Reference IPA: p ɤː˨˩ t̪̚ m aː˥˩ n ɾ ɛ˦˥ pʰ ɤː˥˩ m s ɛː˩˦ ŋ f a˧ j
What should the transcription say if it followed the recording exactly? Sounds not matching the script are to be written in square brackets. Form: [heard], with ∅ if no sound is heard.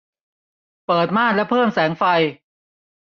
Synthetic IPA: p ɤː˨˩ t̪̚ m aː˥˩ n [l] ɛ˦˥ pʰ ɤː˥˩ m s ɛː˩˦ ŋ f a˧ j